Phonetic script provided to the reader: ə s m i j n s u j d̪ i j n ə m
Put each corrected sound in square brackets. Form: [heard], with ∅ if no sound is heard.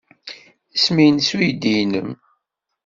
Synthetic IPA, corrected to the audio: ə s m i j n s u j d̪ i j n ə m